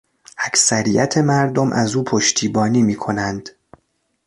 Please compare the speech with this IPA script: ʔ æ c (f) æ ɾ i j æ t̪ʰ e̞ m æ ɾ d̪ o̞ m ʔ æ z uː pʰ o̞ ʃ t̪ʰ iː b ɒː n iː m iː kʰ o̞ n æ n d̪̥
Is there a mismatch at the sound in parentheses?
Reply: yes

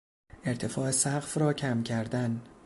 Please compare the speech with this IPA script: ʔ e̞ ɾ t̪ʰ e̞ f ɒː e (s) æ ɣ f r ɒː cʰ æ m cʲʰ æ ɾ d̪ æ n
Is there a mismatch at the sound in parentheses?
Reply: no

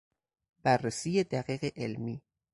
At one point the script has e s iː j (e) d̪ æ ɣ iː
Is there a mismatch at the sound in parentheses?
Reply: no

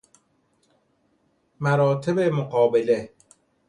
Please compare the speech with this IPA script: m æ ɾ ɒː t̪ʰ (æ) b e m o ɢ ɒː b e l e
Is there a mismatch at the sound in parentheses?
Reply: yes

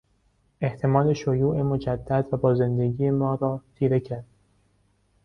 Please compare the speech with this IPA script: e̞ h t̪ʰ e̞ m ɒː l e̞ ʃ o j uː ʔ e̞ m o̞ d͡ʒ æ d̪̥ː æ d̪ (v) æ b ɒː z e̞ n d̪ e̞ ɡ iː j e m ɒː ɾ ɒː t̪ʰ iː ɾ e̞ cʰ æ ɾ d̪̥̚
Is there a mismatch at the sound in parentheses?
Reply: no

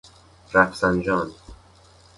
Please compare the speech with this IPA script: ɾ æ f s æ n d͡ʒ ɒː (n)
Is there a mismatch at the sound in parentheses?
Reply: no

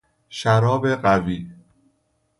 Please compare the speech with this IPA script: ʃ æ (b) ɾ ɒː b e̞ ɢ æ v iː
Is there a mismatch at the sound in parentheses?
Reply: yes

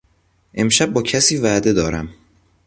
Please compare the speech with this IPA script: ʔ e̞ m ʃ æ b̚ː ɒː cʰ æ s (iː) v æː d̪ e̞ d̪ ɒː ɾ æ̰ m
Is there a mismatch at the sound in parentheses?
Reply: no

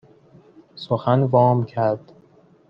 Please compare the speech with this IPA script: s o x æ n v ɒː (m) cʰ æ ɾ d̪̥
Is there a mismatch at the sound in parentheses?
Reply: no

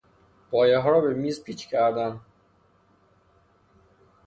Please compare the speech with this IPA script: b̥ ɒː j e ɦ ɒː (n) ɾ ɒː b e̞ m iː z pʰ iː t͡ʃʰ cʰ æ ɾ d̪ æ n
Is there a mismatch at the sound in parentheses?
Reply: yes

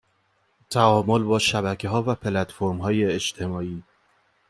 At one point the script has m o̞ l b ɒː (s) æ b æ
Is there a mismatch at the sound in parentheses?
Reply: yes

